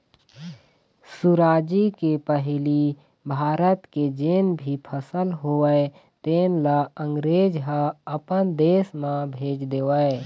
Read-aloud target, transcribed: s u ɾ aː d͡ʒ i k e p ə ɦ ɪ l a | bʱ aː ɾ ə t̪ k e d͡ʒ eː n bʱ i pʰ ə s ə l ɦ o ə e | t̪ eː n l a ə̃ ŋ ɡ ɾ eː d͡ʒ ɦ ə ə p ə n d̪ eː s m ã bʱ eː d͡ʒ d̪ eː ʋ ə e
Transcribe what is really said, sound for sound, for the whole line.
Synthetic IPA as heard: s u ɾ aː d͡ʒ i k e p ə ɦ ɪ l i | bʱ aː ɾ ə t̪ k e d͡ʒ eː n bʱ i pʰ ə s ə l ɦ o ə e | t̪ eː n l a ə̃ ŋ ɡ ɾ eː d͡ʒ ɦ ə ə p ə n d̪ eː s m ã bʱ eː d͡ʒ d̪ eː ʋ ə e